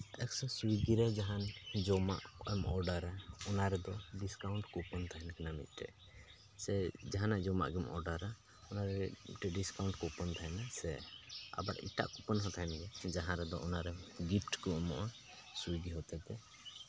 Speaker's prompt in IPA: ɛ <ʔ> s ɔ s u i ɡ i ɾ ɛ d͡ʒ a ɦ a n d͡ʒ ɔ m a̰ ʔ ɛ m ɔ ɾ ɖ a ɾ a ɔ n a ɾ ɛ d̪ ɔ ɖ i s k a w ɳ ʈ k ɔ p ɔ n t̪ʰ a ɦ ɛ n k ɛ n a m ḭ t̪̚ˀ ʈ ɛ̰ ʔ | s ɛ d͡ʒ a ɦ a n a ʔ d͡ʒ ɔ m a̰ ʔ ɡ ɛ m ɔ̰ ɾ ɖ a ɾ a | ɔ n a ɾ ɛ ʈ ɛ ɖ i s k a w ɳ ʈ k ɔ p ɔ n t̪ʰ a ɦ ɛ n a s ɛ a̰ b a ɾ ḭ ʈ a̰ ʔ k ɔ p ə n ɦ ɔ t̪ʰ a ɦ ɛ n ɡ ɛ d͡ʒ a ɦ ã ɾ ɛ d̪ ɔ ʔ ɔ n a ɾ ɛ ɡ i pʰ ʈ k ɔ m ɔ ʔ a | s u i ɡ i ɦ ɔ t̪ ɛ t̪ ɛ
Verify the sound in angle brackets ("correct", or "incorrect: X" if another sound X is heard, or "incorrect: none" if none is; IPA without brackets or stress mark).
incorrect: k